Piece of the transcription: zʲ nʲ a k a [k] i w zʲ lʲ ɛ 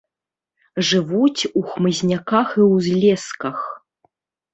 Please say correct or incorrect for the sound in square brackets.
incorrect